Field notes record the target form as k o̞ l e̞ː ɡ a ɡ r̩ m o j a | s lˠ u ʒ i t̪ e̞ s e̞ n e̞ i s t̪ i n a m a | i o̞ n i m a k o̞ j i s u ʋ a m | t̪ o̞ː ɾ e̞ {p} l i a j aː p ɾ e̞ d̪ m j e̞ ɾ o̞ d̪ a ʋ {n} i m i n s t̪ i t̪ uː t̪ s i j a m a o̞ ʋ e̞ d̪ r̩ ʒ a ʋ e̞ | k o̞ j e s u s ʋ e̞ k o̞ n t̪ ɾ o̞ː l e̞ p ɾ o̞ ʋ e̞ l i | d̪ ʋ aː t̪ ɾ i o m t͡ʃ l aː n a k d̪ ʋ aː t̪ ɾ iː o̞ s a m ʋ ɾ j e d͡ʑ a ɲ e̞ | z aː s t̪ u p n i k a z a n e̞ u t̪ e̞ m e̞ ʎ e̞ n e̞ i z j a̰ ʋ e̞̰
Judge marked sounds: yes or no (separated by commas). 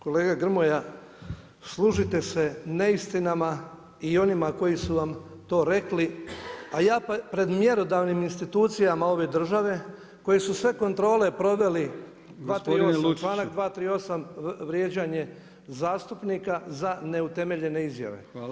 no, yes